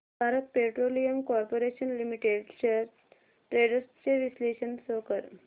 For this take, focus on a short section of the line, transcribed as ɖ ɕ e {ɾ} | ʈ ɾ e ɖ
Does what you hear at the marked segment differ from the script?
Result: no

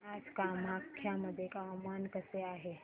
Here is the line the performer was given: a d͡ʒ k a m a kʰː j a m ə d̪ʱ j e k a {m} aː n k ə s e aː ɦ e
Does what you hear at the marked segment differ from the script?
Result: no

